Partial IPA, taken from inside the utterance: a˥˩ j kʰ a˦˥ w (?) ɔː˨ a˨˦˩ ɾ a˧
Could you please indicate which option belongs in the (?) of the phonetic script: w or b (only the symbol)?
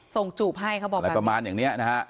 b